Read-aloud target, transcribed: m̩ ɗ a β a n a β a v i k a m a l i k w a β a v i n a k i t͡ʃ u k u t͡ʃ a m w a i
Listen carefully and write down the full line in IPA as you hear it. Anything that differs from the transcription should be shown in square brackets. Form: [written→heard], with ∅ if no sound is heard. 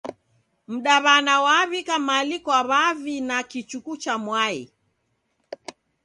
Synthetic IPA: m̩ ɗ a β a n a [β→w] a [v→β] i k a m a l i k w a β a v i n a k i t͡ʃ u k u t͡ʃ a m w a i